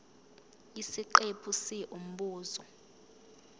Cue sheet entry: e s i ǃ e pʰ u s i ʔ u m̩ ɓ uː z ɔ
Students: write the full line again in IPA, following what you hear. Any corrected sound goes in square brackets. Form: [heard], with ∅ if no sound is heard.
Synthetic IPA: [i] s i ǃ e pʰ u s i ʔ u m̩ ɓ uː z ɔ